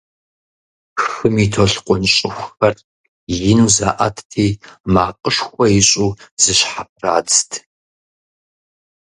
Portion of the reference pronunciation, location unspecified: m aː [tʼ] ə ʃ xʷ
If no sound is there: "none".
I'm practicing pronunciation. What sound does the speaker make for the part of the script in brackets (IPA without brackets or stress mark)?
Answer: qʼ